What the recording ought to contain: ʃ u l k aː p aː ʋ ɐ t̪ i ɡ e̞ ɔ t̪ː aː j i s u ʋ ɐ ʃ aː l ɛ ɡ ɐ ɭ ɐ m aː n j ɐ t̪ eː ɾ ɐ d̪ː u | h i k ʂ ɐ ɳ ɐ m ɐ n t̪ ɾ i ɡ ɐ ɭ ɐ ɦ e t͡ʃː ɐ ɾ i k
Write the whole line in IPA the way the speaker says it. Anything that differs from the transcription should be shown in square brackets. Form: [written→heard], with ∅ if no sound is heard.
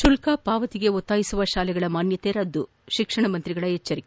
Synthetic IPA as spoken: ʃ u l k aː p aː ʋ ɐ t̪ i ɡ e̞ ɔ t̪ː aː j i s u ʋ ɐ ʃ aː l ɛ ɡ ɐ ɭ ɐ m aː n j ɐ t̪ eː ɾ ɐ d̪ː u | [h→ʃ] i k ʂ ɐ ɳ ɐ m ɐ n t̪ ɾ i ɡ ɐ ɭ ɐ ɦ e t͡ʃː ɐ ɾ i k

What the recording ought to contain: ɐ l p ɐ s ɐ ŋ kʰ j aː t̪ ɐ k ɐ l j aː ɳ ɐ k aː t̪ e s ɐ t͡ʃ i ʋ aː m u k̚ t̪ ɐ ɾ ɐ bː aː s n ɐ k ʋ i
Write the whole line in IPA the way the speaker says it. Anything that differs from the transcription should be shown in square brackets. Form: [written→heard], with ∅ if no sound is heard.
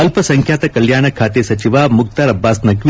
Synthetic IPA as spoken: ɐ l p ɐ s ɐ ŋ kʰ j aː t̪ ɐ k ɐ l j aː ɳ ɐ [k→kʰ] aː t̪ e s ɐ t͡ʃ i ʋ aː m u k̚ t̪ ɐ ɾ ɐ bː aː s n ɐ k ʋ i

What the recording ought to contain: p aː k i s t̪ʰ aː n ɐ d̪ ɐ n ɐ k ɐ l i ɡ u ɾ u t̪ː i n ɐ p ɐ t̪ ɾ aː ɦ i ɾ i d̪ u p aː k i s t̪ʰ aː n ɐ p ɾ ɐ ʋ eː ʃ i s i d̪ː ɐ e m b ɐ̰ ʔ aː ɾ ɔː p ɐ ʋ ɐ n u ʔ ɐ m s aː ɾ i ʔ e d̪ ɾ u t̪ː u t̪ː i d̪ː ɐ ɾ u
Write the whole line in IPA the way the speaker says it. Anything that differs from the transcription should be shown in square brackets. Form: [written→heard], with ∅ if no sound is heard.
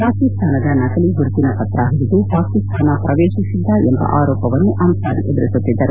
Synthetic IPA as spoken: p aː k i s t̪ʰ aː n ɐ d̪ ɐ n ɐ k ɐ l i ɡ u ɾ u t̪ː i n ɐ p ɐ t̪ ɾ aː ɦ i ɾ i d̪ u p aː k i s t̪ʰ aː n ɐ p ɾ ɐ ʋ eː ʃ i s i d̪ː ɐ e m b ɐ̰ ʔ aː ɾ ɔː p ɐ ʋ ɐ [n→nː] u ʔ ɐ m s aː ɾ i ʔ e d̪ ɾ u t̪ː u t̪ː i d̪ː ɐ ɾ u

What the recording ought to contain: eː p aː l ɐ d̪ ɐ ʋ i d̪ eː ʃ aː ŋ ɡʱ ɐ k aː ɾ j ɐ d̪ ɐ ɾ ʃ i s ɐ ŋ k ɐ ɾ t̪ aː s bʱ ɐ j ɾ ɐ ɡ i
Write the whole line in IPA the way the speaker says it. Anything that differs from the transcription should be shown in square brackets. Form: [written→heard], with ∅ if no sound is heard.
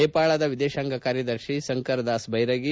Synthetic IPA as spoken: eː p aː [l→ɭ] ɐ d̪ ɐ ʋ i d̪ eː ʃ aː ŋ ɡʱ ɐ k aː ɾ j ɐ d̪ ɐ ɾ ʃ i s ɐ ŋ k ɐ ɾ [t̪→d̪] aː s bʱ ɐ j ɾ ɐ ɡ i

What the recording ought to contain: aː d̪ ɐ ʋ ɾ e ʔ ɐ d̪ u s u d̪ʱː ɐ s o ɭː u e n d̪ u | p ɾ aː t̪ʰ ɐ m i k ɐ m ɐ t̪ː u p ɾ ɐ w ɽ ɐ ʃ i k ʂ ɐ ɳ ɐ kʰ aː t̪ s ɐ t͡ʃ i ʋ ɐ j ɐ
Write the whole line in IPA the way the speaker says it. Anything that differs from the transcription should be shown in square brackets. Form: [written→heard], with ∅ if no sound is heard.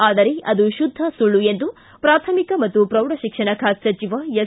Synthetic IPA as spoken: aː d̪ ɐ [ʋ→∅] ɾ e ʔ ɐ d̪ u [s→ʃ] u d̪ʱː ɐ s [o→u] ɭː u e n d̪ u | p ɾ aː t̪ʰ ɐ m i k ɐ m ɐ t̪ː u p ɾ ɐ w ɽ ɐ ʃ i k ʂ ɐ ɳ ɐ kʰ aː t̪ s ɐ t͡ʃ i ʋ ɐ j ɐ

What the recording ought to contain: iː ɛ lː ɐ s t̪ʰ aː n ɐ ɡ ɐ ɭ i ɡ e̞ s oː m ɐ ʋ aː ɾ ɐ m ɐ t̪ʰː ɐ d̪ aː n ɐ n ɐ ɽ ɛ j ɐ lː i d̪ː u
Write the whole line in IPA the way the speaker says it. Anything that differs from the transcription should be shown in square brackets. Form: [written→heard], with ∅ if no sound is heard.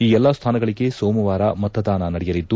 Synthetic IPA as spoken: iː ɛ lː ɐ s t̪ʰ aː n ɐ ɡ ɐ ɭ i ɡ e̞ s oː m ɐ ʋ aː ɾ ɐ m ɐ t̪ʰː ɐ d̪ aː n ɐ n ɐ ɽ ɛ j ɐ [lː→l] i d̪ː u

